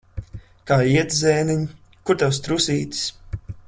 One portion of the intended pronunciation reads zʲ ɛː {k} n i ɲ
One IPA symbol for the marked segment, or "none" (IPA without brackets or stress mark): none